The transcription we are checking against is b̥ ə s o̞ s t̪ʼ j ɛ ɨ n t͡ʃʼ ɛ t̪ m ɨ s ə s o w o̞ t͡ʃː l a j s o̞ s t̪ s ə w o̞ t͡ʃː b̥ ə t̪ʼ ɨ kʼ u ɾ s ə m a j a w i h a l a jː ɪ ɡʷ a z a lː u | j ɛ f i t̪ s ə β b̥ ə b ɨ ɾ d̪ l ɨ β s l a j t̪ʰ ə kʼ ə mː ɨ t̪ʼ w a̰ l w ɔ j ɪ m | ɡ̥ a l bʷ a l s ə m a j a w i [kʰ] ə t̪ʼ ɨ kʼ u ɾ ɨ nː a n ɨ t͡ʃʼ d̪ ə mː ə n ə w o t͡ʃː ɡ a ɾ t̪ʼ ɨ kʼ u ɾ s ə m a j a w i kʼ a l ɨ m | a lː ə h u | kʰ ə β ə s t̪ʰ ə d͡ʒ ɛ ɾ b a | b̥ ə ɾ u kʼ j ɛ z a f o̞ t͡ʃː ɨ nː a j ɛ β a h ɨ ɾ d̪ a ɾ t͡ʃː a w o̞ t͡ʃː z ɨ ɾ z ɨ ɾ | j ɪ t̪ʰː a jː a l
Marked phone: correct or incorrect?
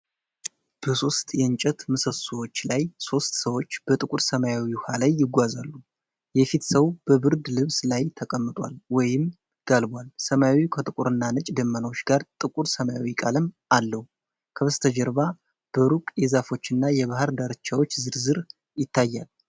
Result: correct